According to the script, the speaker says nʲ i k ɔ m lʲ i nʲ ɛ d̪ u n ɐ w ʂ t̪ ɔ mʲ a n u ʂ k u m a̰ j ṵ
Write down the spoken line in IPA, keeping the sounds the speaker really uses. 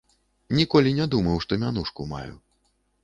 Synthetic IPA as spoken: nʲ i k ɔ lʲ i nʲ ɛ d̪ u m ɐ w ʂ t̪ ɔ mʲ a n u ʂ k u m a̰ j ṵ